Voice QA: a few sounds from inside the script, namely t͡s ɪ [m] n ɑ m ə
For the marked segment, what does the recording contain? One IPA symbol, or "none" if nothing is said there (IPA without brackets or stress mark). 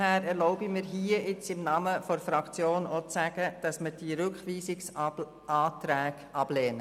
m